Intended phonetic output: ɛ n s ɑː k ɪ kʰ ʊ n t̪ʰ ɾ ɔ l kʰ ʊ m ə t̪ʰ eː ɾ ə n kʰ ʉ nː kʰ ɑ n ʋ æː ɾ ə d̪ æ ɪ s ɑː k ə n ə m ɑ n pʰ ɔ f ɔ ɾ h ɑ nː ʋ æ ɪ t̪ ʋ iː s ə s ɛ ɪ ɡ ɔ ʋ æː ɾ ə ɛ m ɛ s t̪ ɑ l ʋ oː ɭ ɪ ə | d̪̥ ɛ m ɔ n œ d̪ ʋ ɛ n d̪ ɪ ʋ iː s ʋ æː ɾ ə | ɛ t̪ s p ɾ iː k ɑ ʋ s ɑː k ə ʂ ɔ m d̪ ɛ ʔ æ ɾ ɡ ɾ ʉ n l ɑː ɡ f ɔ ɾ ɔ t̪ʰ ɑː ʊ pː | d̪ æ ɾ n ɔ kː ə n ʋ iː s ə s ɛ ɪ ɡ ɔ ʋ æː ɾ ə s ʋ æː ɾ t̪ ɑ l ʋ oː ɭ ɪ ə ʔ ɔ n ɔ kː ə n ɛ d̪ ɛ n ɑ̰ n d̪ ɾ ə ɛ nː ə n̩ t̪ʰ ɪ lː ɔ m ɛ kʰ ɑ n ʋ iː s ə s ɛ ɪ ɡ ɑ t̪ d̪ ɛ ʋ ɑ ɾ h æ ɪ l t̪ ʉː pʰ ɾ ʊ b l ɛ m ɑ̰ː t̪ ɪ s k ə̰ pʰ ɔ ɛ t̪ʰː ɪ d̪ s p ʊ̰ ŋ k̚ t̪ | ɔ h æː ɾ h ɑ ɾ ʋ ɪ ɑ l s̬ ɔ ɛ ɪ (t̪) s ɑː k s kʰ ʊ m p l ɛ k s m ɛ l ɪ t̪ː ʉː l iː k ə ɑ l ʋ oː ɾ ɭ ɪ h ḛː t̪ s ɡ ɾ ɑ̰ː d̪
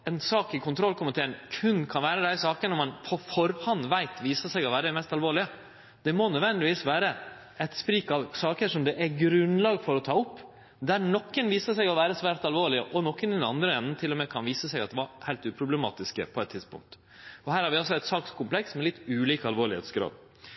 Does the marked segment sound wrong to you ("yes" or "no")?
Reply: no